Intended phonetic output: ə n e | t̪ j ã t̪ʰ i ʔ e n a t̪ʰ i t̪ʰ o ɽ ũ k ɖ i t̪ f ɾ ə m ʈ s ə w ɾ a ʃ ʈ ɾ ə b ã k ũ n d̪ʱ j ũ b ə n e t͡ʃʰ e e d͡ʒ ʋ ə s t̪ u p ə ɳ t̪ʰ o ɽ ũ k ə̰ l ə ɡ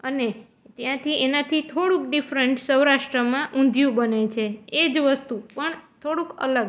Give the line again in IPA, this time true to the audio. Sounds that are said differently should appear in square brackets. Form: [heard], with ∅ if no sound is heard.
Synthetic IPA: ə n e | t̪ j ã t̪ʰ i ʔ e n a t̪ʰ i t̪ʰ o ɽ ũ k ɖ i [∅] f ɾ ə [ɳ] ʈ s ə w ɾ a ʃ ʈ ɾ ə [m] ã [ʔ] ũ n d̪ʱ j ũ b ə n e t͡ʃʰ e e d͡ʒ ʋ ə s t̪ u p ə ɳ t̪ʰ o ɽ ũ k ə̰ l ə ɡ